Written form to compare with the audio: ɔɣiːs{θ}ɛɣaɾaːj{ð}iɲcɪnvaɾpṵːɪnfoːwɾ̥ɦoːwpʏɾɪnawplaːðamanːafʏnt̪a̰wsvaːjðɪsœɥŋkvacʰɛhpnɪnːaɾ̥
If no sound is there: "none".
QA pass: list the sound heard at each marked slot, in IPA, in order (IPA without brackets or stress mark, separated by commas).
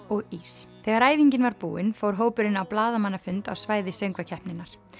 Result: θ, v